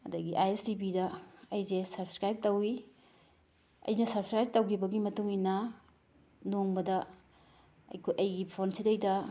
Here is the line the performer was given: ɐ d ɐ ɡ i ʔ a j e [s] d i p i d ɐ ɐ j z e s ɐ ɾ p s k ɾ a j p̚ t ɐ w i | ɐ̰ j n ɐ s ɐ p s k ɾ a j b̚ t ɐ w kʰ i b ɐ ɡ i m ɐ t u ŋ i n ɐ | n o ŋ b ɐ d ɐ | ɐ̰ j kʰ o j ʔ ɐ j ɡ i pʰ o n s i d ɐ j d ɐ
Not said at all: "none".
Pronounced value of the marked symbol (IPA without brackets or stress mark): s